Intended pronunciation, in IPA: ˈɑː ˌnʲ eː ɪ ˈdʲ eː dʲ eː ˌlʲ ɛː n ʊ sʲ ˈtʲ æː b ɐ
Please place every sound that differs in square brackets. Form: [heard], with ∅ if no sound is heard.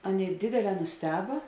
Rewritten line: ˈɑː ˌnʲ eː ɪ ˈdʲ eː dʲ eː ˌlʲ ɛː n ʊ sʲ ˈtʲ æː b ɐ